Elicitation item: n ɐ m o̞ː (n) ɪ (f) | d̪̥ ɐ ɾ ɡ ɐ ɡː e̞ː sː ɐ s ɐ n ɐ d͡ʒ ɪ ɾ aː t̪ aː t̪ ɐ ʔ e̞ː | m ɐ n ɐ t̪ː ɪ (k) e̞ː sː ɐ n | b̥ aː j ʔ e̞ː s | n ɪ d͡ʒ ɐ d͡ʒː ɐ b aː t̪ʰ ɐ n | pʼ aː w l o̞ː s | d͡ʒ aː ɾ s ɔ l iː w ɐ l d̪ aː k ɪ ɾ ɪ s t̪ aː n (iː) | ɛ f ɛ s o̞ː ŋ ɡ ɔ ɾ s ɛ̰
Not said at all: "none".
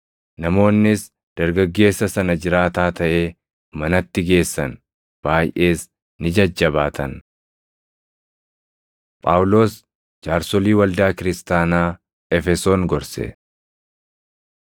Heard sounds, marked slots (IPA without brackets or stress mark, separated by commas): nː, s, ɡ, aː